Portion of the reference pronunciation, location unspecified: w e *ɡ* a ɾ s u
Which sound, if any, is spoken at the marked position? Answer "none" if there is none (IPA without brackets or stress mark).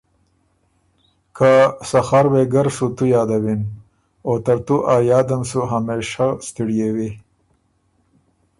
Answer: ɡ